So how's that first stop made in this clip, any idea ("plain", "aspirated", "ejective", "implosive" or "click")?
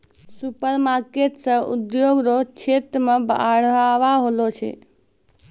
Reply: plain